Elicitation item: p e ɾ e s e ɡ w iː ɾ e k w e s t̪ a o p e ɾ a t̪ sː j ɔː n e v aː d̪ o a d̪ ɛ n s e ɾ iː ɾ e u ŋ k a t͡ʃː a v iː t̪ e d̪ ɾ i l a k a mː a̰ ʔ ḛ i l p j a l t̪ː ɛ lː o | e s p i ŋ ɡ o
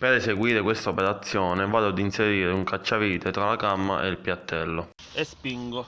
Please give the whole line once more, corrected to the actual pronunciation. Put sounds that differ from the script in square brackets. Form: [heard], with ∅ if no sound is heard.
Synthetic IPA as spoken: p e ɾ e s e ɡ w iː ɾ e k w e s t̪ a o p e ɾ a t̪ sː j ɔː n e v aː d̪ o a d̪ [i] n s e ɾ iː ɾ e u ŋ k a t͡ʃː a v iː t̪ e [t̪] ɾ [a] l a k a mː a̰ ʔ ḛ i l p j a [∅] t̪ː ɛ lː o | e s p i ŋ ɡ o